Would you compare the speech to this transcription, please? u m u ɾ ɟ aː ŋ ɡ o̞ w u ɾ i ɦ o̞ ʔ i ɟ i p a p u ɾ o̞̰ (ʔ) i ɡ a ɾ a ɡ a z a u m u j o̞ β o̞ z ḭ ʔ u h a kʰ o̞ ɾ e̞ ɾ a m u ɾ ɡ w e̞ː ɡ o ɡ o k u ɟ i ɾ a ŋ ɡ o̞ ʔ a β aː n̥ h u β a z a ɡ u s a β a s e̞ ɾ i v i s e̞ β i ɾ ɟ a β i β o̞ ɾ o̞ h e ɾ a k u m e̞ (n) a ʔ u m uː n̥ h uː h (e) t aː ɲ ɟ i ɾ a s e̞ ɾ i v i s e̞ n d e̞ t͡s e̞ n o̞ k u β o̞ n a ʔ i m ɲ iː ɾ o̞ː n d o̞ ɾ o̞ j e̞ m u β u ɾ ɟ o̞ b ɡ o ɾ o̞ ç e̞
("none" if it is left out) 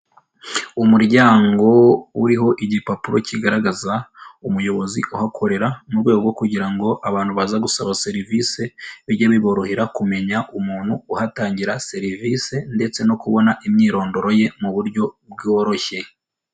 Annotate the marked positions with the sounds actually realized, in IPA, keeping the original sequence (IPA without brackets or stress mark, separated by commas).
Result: c, ɲ, a